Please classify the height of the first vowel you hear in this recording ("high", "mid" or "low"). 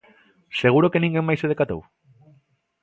mid